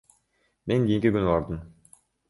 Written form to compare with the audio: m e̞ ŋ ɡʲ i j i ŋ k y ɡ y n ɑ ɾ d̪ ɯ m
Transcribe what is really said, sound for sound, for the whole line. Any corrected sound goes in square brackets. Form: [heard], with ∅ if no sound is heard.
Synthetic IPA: m e̞ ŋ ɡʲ i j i ŋ k [i] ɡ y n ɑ ɾ d̪ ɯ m